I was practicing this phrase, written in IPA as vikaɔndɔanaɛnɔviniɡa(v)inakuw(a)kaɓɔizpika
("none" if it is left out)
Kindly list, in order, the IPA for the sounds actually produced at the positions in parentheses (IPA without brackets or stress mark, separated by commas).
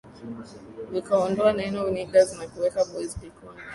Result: z, ɛ